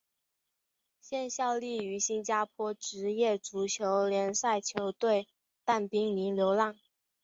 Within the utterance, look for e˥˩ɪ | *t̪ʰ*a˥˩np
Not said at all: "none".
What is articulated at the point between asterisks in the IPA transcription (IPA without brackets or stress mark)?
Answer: t̪